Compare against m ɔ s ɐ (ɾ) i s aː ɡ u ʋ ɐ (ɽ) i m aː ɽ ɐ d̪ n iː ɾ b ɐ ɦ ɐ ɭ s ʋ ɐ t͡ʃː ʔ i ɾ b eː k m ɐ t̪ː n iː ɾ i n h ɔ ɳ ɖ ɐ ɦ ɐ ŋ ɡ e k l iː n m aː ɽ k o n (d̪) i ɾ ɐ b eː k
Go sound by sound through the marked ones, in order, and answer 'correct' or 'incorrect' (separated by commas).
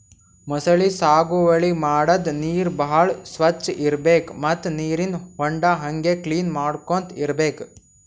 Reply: incorrect, incorrect, incorrect